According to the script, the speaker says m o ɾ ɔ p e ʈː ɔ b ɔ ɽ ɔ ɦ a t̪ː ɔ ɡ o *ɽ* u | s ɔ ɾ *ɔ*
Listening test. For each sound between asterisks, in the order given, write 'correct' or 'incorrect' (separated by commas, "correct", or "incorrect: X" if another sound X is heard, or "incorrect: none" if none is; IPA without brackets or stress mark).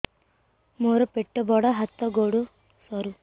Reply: correct, incorrect: u